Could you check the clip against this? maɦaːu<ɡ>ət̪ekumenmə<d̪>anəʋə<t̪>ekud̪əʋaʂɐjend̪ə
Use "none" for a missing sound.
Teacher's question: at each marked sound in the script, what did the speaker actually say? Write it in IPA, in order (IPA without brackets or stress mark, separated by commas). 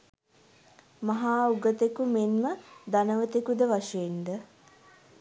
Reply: ɡ, d̪, t̪